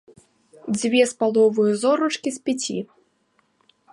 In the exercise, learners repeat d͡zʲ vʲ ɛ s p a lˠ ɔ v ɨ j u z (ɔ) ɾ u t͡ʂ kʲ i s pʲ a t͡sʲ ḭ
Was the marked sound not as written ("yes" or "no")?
no